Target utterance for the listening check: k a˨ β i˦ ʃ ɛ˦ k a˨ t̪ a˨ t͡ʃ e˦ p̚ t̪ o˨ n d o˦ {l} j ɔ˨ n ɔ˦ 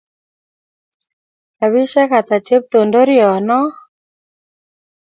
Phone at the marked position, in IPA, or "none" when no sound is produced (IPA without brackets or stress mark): ɾ